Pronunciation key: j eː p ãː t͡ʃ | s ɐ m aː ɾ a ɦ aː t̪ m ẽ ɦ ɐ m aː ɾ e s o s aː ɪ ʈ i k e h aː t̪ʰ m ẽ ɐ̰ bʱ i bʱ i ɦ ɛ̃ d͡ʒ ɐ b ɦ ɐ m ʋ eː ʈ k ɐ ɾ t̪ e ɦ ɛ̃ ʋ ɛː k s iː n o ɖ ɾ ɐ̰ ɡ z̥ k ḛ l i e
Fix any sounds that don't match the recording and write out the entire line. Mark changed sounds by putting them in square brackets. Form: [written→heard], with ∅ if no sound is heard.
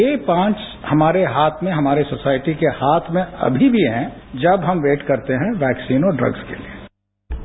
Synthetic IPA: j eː p ãː t͡ʃ | [s→h] ɐ m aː ɾ [a→e] ɦ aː [t̪→t̪ʰ] m ẽ ɦ ɐ m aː ɾ e s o s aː ɪ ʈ i k e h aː t̪ʰ m ẽ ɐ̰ bʱ i bʱ i ɦ ɛ̃ d͡ʒ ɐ b ɦ ɐ m ʋ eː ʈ k ɐ ɾ t̪ e ɦ ɛ̃ ʋ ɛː k s iː n o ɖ ɾ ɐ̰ ɡ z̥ k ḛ l i e

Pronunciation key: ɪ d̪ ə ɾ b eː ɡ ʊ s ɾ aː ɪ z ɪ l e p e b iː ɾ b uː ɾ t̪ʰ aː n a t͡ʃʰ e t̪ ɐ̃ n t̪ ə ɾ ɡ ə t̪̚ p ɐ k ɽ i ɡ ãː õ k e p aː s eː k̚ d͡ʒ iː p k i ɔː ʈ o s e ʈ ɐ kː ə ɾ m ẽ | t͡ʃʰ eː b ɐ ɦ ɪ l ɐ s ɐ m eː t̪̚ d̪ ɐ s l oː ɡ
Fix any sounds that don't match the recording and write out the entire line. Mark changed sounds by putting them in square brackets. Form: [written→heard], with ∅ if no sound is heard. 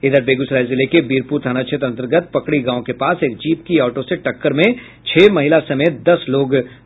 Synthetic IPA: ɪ d̪ ə ɾ b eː ɡ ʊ s ɾ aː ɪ z ɪ l e [p→k] e b iː ɾ [b→p] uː ɾ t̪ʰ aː n a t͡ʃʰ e t̪ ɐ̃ n t̪ ə ɾ ɡ ə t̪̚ p ɐ k ɽ i ɡ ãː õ k e p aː s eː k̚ d͡ʒ iː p k i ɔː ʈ o s e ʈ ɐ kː ə ɾ m ẽ | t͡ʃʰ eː [b→m] ɐ ɦ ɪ l [ɐ→a] s ɐ m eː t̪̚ d̪ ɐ s l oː ɡ

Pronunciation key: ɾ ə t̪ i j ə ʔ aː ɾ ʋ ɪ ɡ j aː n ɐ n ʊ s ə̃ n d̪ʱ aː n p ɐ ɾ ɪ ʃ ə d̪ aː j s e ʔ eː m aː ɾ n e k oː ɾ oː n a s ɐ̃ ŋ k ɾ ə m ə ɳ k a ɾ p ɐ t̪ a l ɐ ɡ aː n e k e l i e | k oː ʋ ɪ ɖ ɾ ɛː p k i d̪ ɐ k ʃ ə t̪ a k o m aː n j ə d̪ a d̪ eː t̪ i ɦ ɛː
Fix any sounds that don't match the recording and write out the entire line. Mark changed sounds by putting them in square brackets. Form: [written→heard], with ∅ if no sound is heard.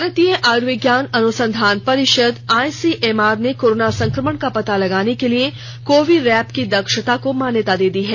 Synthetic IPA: ɾ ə t̪ i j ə ʔ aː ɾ ʋ ɪ ɡ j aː n ɐ n ʊ s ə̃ n d̪ʱ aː n p ɐ ɾ ɪ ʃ ə d̪ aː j s [e→i] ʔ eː m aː ɾ n e k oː ɾ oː n a s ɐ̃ ŋ k ɾ ə m ə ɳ k a [ɾ→∅] p ɐ t̪ a l ɐ ɡ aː n e k e l i e | k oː ʋ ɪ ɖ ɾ ɛː p k i d̪ ɐ k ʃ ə t̪ a k o m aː n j ə [d̪→t̪] a d̪ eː [t̪→d̪] i ɦ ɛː

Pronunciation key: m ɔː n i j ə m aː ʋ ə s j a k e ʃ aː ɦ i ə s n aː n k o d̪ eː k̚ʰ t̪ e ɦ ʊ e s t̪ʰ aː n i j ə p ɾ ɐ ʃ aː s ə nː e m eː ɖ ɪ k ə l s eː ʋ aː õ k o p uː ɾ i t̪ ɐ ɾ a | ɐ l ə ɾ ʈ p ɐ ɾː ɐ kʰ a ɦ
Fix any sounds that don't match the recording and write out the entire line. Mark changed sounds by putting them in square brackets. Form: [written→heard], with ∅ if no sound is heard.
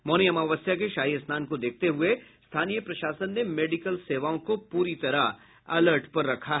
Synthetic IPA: m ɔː n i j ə m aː ʋ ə s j a k e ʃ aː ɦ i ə s n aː n k o d̪ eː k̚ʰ t̪ e ɦ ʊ e s t̪ʰ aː n i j ə p ɾ ɐ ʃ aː s ə nː e m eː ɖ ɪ k ə l s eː ʋ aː õ k o p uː ɾ i t̪ ɐ ɾ a | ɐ l ə ɾ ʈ p ɐ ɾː ɐ kʰ a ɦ

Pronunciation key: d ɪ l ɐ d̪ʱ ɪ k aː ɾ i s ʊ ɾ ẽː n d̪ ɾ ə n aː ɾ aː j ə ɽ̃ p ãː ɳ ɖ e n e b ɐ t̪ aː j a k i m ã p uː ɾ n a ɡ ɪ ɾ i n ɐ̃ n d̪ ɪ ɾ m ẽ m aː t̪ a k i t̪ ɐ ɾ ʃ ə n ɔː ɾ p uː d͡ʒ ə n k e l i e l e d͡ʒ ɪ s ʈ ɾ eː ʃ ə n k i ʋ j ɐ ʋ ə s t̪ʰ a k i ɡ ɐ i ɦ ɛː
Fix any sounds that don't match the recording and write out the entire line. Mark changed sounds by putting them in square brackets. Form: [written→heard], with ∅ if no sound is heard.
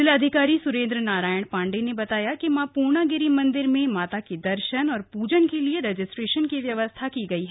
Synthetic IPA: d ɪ l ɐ d̪ʱ ɪ k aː ɾ i s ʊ ɾ ẽː n d̪ ɾ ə n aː ɾ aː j ə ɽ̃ p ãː ɳ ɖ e n e b ɐ t̪ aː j a k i m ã p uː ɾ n a ɡ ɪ ɾ i [n→m] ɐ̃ n d̪ ɪ ɾ m ẽ m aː t̪ a k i [t̪→d̪] ɐ ɾ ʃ ə n ɔː ɾ p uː d͡ʒ ə n k e l i e [l→ɾ] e d͡ʒ ɪ s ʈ ɾ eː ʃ ə n k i ʋ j ɐ ʋ ə s t̪ʰ a k i ɡ ɐ i ɦ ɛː

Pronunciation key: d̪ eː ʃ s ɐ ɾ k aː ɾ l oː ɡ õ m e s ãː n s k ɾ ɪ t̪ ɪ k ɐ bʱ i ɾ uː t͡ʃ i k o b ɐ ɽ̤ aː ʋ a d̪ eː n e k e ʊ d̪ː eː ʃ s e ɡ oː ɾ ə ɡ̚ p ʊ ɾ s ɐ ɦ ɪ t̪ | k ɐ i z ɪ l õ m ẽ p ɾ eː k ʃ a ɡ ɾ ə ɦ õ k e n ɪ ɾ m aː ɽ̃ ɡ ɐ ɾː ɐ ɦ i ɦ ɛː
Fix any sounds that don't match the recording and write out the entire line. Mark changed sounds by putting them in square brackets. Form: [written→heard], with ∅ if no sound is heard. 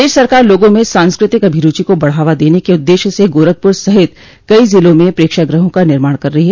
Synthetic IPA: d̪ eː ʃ s ɐ ɾ k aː ɾ l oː ɡ õ m [e→ẽ] s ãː n s k ɾ ɪ t̪ ɪ k ɐ bʱ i ɾ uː t͡ʃ i k o b ɐ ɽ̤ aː ʋ a d̪ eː n e k e ʊ d̪ː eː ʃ s e ɡ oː ɾ ə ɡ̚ p ʊ ɾ s ɐ ɦ ɪ t̪ | k ɐ i z ɪ l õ m ẽ p ɾ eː k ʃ a ɡ ɾ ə ɦ õ k [e→a] n ɪ ɾ m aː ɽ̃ [ɡ→k] ɐ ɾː ɐ ɦ i ɦ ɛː

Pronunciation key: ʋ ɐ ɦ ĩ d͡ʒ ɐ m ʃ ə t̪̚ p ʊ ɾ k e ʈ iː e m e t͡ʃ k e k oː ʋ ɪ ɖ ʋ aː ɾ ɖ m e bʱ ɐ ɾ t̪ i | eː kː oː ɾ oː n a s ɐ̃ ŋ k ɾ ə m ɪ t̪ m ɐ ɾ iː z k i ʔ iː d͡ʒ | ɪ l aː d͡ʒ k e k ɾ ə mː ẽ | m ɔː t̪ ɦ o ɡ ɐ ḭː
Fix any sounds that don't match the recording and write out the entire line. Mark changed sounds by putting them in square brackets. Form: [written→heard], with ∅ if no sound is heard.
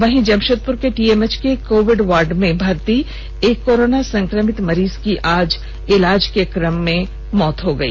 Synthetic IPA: ʋ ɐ ɦ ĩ d͡ʒ ɐ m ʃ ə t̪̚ p ʊ ɾ k e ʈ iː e m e t͡ʃ k e k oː ʋ ɪ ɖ ʋ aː ɾ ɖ m [e→ẽ] bʱ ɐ ɾ t̪ i | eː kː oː ɾ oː n a s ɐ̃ ŋ k ɾ ə m ɪ t̪ m ɐ ɾ iː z k i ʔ [iː→aː] d͡ʒ | ɪ l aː d͡ʒ k e k ɾ ə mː ẽ | m ɔː t̪ ɦ o ɡ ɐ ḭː

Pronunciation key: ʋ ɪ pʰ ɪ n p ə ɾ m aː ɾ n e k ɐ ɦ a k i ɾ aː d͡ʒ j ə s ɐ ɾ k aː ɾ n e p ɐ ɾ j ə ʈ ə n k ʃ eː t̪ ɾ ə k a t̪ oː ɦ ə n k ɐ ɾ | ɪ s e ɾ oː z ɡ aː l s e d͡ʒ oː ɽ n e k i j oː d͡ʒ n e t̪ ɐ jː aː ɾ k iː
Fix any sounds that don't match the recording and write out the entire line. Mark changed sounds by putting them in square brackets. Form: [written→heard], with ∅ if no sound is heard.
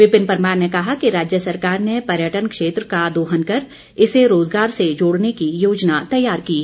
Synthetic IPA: ʋ ɪ [pʰ→p] ɪ n p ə ɾ m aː ɾ n e k ɐ ɦ a k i ɾ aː d͡ʒ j ə s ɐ ɾ k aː ɾ n e p ɐ ɾ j ə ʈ ə n k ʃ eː t̪ ɾ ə k a [t̪→d̪] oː ɦ ə n k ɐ ɾ | ɪ s e ɾ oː z ɡ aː [l→ɾ] s e d͡ʒ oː ɽ n e k i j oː d͡ʒ n [e→a] t̪ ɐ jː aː ɾ k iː

